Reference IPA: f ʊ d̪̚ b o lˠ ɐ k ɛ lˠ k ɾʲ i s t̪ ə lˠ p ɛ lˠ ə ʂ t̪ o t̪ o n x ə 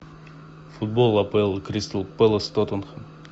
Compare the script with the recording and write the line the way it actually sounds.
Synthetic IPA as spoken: f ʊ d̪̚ b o lˠ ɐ p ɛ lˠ k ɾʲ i s t̪ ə lˠ p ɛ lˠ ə s t̪ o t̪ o n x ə